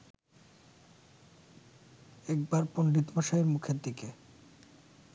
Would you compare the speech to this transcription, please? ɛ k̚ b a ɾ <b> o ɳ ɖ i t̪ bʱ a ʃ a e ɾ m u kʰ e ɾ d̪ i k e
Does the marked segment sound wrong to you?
yes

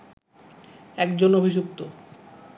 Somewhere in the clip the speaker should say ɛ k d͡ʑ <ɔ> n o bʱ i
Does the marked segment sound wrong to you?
yes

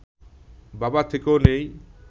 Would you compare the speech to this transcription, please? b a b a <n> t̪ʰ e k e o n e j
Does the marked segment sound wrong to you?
yes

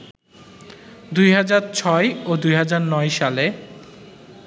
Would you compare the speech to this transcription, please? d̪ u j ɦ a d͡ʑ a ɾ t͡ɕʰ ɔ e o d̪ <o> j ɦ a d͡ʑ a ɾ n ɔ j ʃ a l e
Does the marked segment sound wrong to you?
yes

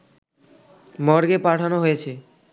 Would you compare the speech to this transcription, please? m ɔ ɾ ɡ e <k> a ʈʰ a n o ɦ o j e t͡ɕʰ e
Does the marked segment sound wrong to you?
yes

